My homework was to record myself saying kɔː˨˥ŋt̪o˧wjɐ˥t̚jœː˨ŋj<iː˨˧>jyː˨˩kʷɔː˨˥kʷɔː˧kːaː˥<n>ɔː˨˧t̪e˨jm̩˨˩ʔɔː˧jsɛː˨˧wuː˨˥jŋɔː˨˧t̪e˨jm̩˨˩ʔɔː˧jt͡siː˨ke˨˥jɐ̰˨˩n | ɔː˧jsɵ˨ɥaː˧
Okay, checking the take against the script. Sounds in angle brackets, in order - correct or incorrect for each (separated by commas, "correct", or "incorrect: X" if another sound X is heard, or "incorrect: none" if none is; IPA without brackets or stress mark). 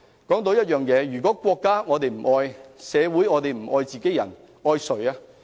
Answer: incorrect: ɛː˨˧, incorrect: ŋ